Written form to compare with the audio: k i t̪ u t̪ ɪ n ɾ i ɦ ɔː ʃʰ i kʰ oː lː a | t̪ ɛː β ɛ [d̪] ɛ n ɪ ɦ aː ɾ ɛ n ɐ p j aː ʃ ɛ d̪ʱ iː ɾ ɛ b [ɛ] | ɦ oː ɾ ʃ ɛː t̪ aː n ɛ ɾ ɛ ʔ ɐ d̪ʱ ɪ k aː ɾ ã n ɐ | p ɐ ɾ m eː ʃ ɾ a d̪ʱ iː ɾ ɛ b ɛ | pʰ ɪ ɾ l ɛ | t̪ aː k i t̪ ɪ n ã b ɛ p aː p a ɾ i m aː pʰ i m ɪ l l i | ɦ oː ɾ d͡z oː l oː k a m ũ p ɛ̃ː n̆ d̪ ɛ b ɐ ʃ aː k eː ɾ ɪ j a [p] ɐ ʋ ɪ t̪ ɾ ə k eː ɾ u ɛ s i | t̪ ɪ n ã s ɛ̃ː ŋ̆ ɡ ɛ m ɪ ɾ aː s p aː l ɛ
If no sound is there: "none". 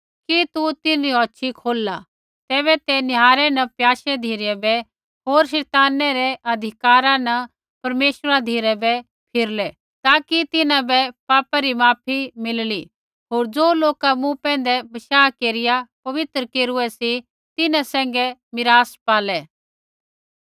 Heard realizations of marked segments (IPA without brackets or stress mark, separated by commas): t̪, ɛ, p